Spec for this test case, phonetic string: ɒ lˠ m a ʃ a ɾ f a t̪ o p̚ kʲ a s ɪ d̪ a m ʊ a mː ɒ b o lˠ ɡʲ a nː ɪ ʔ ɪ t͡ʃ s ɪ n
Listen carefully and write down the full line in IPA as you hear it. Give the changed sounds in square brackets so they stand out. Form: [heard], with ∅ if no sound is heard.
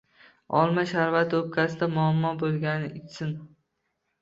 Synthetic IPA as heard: ɒ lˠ m a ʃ a ɾ [v] a t̪ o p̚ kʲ a s ɪ d̪ a m ʊ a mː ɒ b o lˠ ɡʲ a [n] ɪ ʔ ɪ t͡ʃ s ɪ n